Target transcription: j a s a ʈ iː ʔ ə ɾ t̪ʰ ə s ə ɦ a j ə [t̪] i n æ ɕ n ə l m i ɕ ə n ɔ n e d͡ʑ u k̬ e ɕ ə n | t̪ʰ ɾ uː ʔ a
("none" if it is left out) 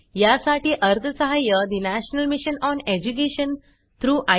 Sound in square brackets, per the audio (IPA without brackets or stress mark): d̪